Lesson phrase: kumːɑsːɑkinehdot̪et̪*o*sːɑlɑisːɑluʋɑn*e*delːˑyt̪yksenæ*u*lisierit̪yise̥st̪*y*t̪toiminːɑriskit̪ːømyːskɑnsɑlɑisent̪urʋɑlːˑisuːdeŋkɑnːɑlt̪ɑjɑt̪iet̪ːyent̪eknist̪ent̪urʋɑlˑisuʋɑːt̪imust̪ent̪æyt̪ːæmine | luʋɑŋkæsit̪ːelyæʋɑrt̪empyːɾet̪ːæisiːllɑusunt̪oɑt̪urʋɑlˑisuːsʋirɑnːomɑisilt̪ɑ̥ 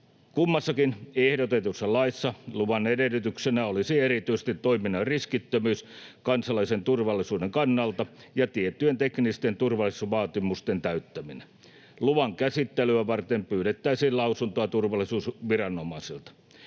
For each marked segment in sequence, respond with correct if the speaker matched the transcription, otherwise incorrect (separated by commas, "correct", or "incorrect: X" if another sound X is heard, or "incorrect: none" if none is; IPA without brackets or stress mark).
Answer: incorrect: u, correct, incorrect: o, incorrect: i